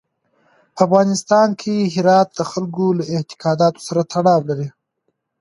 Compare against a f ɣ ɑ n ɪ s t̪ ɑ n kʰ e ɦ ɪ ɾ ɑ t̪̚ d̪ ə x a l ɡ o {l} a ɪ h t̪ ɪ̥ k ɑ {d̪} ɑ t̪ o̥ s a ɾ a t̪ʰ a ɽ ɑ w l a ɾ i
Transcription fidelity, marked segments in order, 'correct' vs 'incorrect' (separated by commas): correct, correct